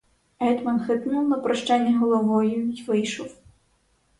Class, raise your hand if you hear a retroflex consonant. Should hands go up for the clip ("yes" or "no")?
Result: yes